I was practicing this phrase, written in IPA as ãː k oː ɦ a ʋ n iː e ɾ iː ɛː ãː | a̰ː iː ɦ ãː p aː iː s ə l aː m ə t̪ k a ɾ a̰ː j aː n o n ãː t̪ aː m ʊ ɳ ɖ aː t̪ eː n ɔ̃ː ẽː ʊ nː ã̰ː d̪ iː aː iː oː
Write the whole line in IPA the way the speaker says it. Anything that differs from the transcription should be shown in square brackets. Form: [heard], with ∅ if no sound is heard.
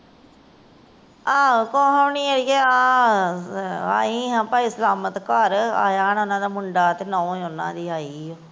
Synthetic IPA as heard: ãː k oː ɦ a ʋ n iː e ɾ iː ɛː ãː | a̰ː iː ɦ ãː p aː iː s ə l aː m ə t̪ k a ɾ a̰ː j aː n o n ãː [d̪] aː m ʊ ɳ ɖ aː t̪ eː n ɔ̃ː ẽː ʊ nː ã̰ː d̪ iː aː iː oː